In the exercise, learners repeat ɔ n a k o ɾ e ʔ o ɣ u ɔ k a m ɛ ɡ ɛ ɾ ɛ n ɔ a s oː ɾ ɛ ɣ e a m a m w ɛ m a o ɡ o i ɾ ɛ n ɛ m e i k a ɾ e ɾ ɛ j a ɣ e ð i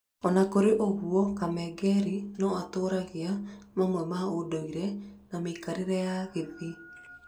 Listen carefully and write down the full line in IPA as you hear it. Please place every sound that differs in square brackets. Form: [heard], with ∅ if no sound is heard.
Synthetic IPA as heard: ɔ n a k o ɾ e ʔ o ɣ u ɔ k a m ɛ ɡ ɛ ɾ [i] n ɔ a [t] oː ɾ [a] ɣ e a m a m w ɛ m a o [d] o i ɾ ɛ n [a] m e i k a ɾ e ɾ ɛ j a ɣ e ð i